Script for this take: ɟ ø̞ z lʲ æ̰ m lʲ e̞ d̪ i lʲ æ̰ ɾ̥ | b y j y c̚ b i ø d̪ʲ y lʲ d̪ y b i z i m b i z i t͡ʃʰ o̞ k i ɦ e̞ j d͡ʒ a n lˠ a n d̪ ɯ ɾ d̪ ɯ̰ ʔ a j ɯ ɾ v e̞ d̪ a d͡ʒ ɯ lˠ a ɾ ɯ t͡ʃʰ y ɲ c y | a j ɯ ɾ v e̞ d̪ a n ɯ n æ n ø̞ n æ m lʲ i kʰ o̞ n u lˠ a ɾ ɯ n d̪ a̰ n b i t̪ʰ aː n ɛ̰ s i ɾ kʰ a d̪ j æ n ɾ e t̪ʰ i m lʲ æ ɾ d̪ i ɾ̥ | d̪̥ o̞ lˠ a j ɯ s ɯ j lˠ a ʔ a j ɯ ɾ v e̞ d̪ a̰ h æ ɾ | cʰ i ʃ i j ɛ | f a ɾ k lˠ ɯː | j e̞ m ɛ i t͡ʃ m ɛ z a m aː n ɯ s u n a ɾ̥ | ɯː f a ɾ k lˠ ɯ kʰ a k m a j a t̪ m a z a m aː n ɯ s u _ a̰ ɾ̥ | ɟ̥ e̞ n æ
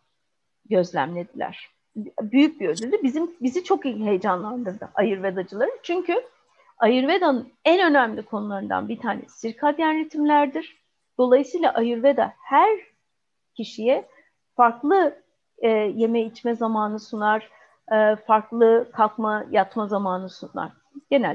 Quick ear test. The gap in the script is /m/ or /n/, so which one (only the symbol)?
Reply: n